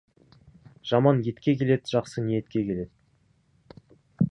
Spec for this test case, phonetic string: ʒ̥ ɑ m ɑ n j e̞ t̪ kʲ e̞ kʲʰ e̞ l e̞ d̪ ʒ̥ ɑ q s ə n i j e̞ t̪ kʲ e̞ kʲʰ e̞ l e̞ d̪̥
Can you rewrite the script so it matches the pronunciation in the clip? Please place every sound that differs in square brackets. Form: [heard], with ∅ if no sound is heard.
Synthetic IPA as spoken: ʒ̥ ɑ m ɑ n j e̞ t̪ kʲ e̞ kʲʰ e̞ l e̞ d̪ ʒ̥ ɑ q s ə n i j e̞ t̪ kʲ e̞ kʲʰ e̞ l e̞ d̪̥